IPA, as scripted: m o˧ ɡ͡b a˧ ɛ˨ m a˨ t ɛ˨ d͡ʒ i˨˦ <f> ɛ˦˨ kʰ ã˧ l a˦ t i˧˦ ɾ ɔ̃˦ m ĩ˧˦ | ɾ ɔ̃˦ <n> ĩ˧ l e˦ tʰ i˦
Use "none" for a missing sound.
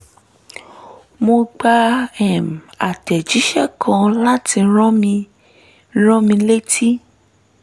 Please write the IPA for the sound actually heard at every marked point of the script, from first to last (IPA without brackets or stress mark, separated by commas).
ʃ, m